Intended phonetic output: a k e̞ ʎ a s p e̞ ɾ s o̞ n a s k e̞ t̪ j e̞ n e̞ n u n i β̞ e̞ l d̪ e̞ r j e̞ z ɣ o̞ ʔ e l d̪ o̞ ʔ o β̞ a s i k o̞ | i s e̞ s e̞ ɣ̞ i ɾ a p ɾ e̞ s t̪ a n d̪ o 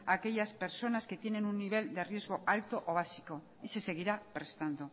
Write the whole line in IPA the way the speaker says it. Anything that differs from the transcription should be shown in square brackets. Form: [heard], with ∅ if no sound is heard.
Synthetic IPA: a k e̞ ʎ a s p e̞ ɾ s o̞ n a s k e̞ t̪ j e̞ n e̞ n u [nː] i β̞ e̞ l d̪ e̞ r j e̞ z ɣ o̞ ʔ [a] l [t̪] o̞ ʔ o β̞ a s i k o̞ | i s e̞ s e̞ ɣ̞ i ɾ a p ɾ e̞ s t̪ a n d̪ o